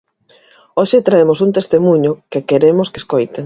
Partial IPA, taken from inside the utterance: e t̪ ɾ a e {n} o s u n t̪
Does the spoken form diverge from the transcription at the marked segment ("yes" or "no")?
yes